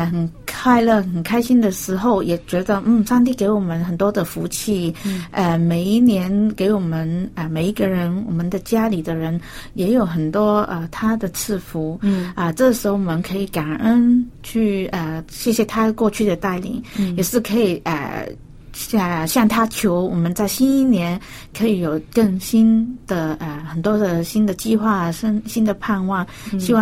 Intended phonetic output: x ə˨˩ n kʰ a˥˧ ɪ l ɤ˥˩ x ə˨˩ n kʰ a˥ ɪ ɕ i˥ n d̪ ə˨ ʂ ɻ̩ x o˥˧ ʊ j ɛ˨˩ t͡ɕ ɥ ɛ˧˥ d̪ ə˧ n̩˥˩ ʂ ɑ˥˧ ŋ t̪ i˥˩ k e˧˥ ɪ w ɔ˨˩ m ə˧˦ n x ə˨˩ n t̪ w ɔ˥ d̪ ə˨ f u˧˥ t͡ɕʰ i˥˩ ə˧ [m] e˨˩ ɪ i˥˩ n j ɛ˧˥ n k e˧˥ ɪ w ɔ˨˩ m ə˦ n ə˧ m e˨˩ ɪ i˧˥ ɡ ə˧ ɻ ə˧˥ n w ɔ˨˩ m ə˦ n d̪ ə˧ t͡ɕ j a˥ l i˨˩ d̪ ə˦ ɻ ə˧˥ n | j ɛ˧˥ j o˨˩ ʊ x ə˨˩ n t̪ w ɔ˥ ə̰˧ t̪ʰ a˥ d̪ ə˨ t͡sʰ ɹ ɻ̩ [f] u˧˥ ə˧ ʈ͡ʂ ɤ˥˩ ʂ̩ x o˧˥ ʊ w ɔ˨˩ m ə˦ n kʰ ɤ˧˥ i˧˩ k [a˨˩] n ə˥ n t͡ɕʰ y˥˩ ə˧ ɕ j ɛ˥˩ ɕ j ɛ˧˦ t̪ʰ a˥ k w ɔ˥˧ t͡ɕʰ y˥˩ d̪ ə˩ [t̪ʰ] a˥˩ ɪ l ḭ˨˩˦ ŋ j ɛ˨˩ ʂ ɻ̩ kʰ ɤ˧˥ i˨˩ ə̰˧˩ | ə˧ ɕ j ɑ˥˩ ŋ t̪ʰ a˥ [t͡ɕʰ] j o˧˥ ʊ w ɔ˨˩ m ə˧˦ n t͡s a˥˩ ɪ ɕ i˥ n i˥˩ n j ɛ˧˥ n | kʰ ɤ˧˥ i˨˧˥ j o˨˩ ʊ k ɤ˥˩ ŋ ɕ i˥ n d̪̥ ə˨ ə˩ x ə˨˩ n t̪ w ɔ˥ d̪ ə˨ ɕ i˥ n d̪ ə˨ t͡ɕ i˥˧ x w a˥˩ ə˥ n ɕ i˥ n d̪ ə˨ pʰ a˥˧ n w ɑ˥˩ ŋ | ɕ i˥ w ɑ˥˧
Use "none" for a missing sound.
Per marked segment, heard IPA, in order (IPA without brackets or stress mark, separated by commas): m, f, a˨˩, t̪, t͡ɕʰ